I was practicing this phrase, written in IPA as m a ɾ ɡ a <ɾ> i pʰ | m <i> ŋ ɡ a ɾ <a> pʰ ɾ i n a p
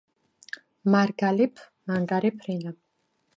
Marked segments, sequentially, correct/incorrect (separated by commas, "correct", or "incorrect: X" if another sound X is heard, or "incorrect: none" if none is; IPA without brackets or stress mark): incorrect: l, incorrect: a, incorrect: i